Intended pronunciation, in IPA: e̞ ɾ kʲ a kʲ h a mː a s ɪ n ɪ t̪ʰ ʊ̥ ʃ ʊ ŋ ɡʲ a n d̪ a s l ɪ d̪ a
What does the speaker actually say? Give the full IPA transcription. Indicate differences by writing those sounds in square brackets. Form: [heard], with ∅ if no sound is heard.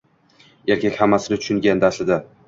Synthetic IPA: e̞ ɾ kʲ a kʲ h a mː a s ɪ n ɪ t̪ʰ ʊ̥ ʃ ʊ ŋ ɡʲ a n d̪ a s l ɪ d̪ a